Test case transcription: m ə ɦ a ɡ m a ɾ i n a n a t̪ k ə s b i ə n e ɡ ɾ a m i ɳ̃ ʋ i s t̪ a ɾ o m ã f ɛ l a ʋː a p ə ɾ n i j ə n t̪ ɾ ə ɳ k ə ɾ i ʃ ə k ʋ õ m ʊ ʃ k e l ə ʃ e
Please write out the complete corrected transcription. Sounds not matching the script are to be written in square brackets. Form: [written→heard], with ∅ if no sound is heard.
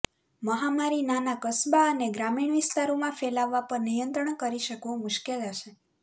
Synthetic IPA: m ə ɦ a [ɡ→∅] m a ɾ i n a n a [t̪→∅] k ə s b [i→a] ə n e ɡ ɾ a m i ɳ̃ ʋ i s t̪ a ɾ o m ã f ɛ l a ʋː a p ə ɾ n i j ə n t̪ ɾ ə ɳ k ə ɾ i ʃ ə k ʋ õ m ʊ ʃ k e l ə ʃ e

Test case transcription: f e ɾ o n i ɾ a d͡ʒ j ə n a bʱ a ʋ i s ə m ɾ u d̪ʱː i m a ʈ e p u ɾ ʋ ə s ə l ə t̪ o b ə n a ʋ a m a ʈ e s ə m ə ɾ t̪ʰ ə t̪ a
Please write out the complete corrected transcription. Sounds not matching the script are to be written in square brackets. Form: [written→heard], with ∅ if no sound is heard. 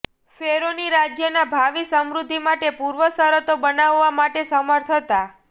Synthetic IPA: f e ɾ o n i ɾ a d͡ʒ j ə n a bʱ a ʋ i s ə m ɾ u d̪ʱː i m a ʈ e p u ɾ ʋ ə s ə [l→ɾ] ə t̪ o b ə n a [ʋ→ʋː] a m a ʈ e s ə m ə ɾ t̪ʰ ə t̪ a

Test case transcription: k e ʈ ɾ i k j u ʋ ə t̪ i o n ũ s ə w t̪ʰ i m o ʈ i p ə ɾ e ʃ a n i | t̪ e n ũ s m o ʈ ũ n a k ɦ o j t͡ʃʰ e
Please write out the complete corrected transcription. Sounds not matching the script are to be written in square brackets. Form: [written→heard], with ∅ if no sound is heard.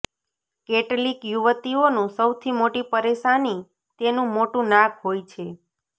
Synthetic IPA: k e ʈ [ɾ→l] i k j u ʋ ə t̪ i o n ũ s ə w t̪ʰ i m o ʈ i p ə ɾ e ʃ a n i | t̪ e n ũ [s→∅] m o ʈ ũ n a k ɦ o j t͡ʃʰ e

